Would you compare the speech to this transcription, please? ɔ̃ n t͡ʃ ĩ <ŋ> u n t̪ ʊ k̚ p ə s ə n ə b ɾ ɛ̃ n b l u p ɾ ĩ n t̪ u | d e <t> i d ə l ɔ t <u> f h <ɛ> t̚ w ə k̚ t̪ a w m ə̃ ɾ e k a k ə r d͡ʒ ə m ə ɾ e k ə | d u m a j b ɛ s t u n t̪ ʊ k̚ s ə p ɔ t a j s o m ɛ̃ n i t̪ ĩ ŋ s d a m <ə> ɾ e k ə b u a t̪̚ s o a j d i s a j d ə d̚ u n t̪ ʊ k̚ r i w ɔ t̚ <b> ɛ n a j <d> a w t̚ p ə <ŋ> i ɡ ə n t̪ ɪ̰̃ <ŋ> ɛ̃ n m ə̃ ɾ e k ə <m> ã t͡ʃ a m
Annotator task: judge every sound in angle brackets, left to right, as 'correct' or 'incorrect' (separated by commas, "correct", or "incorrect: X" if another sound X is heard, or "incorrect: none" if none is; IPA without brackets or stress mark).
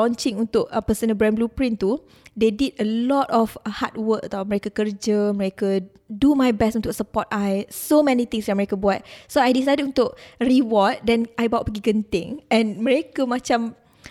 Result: correct, incorrect: d, incorrect: ɔ, incorrect: a, correct, incorrect: d, incorrect: b, incorrect: ɡ, correct, correct